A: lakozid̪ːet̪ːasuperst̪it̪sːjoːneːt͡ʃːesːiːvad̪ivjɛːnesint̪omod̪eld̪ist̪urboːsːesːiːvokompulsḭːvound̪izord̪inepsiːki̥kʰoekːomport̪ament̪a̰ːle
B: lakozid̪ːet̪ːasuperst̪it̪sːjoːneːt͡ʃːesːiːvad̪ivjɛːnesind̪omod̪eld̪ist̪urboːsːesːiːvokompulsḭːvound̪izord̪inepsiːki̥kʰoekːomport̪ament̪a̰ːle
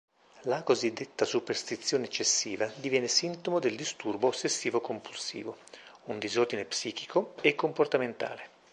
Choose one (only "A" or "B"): A